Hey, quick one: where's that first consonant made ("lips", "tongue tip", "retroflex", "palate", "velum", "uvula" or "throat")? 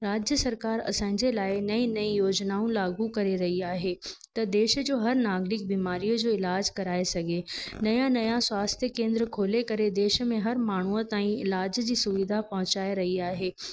tongue tip